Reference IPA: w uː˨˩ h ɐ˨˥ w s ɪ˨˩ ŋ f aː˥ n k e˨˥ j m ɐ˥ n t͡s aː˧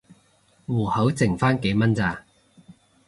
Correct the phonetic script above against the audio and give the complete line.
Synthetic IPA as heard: w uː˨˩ h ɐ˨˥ w t͡s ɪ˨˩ ŋ f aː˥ n k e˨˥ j m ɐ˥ n t͡s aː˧